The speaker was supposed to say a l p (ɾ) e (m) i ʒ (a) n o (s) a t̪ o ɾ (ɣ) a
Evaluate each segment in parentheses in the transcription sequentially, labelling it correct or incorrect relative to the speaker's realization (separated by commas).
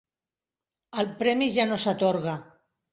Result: correct, correct, correct, correct, correct